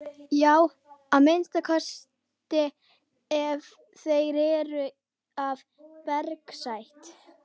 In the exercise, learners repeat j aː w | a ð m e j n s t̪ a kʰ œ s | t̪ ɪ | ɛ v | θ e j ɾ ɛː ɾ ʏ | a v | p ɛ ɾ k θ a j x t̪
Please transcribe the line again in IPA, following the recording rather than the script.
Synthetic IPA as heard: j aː w | a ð m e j n s t̪ a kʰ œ s | t̪ ɪ | ɛ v | θ e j ɾ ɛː ɾ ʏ | a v | p ɛ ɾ k s a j h t̪